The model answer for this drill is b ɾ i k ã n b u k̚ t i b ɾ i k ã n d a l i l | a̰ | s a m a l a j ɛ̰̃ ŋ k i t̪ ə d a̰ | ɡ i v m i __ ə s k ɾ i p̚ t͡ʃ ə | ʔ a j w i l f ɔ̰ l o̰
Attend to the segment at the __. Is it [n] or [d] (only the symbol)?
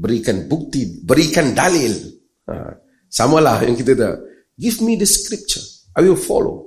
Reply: d